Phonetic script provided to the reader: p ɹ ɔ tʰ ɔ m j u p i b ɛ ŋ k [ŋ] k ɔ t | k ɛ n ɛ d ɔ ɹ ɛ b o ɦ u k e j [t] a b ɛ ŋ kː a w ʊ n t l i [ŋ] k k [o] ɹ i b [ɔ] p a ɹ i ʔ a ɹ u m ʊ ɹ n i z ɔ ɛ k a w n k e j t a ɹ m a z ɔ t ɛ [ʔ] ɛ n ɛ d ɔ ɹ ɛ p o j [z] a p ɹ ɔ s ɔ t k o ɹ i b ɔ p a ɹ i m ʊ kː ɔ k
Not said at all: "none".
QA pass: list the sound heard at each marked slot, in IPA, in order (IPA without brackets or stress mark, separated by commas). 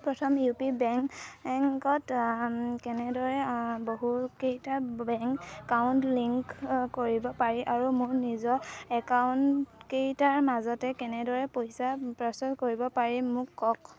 ŋ, t, ŋ, o, ɔ, k, s